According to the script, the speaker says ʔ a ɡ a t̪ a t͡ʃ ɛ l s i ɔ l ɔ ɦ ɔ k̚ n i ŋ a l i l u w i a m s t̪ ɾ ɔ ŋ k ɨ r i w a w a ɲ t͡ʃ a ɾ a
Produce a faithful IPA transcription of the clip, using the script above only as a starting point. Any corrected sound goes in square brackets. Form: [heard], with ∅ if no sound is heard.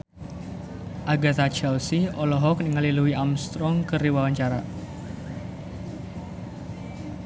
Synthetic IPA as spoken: ʔ a ɡ a t̪ a t͡ʃ ɛ l s i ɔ l ɔ ɦ ɔ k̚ n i ŋ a l i l u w i a m s t̪ ɾ ɔ ŋ k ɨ r i w a w a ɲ t͡ʃ a ɾ a